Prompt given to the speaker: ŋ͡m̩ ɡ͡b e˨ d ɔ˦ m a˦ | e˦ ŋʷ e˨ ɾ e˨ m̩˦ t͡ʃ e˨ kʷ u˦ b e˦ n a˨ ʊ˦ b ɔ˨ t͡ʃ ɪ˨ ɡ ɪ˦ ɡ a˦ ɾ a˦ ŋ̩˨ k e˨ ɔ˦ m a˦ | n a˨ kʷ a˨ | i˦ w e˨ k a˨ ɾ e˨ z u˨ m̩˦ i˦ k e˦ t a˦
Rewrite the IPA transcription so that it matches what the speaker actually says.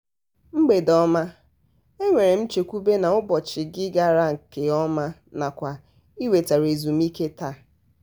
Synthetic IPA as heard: ŋ͡m̩ ɡ͡b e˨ d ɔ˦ m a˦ | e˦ ŋʷ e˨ ɾ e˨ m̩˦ t͡ʃ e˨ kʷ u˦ b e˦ n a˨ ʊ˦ b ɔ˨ t͡ʃ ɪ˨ ɡ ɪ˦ ɡ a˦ ɾ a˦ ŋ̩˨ k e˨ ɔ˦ m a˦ | n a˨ kʷ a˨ | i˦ w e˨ t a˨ ɾ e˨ z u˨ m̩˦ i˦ k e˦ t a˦

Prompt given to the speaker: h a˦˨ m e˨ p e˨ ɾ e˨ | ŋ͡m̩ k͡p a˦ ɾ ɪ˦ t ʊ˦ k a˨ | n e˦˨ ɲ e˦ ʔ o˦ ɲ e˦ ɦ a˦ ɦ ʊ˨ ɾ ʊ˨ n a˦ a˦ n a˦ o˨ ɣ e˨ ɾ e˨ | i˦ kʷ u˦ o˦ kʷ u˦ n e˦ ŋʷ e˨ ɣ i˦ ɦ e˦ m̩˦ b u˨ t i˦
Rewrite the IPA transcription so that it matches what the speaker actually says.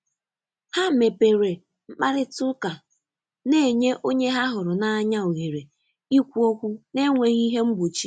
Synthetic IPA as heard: h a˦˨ m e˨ p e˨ ɾ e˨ | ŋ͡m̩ k͡p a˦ ɾ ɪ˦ t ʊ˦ k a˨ | n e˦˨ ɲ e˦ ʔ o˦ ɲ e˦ ɦ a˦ ɦ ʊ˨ ɾ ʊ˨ n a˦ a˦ ɲ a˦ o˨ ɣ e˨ ɾ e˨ | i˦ kʷ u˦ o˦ kʷ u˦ n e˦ ŋʷ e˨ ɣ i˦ ɦ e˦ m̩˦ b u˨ t͡ʃ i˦

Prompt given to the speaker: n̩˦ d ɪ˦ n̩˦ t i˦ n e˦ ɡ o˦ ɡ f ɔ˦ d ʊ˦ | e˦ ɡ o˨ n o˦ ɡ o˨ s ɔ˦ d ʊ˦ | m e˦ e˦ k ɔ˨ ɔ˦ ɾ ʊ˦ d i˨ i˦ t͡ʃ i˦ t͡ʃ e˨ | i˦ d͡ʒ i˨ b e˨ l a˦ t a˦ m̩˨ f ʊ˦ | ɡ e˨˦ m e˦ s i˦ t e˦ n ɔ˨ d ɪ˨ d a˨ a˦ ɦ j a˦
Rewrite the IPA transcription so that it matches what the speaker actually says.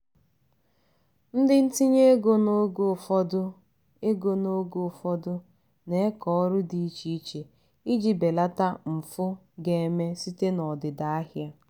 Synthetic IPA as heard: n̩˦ d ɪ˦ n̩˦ t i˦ ɲ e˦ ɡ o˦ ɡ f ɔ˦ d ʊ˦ | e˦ ɡ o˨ n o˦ ɡ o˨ f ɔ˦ d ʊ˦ | n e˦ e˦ k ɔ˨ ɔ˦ ɾ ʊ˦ d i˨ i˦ t͡ʃ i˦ t͡ʃ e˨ | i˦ d͡ʒ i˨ b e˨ l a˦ t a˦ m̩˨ f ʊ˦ | ɡ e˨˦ m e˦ s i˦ t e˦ n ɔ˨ d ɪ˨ d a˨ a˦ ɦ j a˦

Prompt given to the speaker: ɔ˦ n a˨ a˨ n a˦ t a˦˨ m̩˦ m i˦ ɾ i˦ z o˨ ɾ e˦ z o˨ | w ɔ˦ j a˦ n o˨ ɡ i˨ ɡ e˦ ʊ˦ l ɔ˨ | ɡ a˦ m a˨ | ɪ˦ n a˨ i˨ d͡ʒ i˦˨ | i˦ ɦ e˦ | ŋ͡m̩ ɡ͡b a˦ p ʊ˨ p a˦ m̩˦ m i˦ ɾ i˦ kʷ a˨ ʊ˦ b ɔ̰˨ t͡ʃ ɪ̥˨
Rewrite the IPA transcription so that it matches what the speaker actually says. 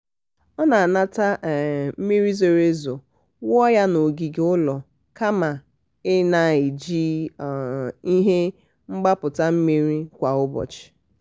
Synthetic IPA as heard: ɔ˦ n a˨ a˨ n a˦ t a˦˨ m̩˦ m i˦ ɾ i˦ z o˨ ɾ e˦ z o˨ | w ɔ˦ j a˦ n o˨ ɡ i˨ ɡ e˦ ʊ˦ l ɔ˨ | k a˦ m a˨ | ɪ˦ n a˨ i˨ d͡ʒ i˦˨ | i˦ ɦ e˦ | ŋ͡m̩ ɡ͡b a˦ p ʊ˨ t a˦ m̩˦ m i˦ ɾ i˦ kʷ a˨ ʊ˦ b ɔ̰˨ t͡ʃ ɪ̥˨

